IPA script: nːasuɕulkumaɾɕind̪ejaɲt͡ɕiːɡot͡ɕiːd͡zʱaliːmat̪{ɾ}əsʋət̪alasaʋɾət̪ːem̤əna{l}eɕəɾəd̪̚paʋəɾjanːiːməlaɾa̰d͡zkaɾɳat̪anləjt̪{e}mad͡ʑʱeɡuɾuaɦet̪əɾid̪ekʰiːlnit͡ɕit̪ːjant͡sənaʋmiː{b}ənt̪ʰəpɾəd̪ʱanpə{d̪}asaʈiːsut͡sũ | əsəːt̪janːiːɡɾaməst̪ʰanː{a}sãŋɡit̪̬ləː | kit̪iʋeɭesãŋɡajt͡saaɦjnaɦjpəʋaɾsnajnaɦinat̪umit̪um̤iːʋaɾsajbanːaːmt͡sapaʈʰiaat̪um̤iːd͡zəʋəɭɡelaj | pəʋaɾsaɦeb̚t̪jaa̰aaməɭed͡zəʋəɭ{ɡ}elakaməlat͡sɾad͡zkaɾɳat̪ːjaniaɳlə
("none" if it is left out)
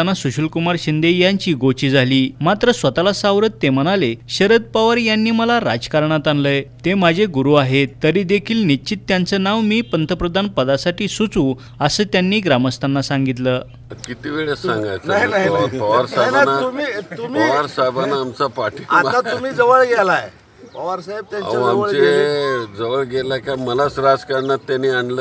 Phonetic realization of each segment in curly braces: ɾ, l, e, p, d̪, a, ɡ

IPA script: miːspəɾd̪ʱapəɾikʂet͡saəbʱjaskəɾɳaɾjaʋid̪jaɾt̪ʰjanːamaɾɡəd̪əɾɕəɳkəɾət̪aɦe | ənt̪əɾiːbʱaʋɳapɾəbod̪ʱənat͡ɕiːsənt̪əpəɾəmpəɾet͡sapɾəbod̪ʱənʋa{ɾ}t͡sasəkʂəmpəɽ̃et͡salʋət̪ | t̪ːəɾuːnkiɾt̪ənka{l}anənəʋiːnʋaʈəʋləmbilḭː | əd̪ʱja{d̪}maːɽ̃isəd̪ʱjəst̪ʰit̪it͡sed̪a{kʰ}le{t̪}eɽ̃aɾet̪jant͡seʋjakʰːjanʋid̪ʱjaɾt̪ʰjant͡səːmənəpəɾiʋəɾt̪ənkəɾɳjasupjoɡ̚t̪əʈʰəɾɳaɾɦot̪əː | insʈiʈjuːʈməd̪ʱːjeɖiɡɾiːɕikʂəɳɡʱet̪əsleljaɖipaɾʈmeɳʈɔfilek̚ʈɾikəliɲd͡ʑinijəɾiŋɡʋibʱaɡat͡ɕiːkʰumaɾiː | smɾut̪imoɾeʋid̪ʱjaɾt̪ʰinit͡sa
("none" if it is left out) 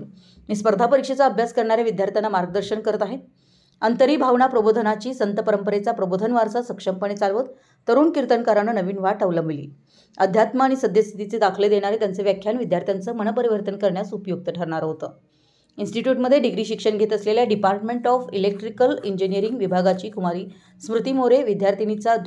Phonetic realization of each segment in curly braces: ɾ, ɾ, t̪, kʰ, d̪

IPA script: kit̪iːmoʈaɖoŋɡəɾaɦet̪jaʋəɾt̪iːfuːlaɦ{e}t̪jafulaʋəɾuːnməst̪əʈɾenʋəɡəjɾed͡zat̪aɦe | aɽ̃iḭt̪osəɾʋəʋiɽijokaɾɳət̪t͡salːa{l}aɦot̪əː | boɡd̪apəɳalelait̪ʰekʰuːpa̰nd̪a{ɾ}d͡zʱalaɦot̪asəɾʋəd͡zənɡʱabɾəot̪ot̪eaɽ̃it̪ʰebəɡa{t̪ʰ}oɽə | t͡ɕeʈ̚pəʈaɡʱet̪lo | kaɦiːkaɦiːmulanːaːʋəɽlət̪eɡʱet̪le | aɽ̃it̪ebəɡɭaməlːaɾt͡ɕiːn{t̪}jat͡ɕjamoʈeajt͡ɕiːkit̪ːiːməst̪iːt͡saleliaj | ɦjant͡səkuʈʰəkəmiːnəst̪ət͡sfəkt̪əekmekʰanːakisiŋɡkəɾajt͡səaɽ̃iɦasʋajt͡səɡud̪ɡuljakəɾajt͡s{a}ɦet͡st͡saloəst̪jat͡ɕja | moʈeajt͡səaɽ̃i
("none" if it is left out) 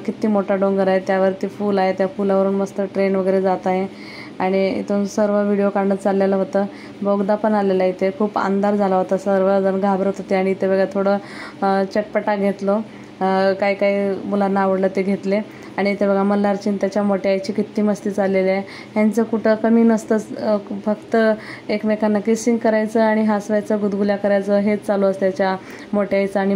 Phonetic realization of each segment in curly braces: e, l, ɾ, t̪ʰ, t̪, ə

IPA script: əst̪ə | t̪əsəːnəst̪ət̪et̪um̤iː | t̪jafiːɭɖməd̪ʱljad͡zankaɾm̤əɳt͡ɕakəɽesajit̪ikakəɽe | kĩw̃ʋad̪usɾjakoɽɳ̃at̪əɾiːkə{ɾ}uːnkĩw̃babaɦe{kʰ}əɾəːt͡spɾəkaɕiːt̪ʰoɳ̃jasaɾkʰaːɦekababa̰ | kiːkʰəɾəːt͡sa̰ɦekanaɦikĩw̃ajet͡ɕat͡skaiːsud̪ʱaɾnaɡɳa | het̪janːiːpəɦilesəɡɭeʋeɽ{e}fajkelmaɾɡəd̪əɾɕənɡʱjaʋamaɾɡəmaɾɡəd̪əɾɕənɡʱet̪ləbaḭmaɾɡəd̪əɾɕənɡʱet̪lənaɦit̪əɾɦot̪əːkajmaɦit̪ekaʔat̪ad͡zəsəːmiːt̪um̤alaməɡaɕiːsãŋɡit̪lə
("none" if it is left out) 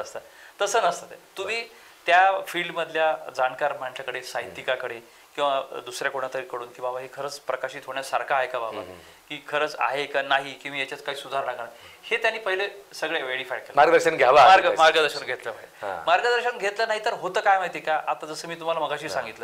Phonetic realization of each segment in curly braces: ɽ, kʰ, i

